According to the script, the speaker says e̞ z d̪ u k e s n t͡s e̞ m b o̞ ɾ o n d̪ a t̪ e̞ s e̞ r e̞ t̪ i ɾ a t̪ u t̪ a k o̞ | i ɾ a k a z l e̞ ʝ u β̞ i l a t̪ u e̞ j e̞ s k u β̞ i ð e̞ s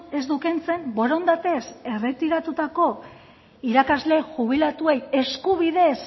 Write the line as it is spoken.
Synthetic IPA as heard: e̞ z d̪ u k e n t͡s e̞ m b o̞ ɾ o n d̪ a t̪ e̞ s e̞ r e̞ t̪ i ɾ a t̪ u t̪ a k o̞ | i ɾ a k a z l e̞ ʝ u β̞ i l a t̪ u e̞ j e̞ s k u β̞ i ð e̞ s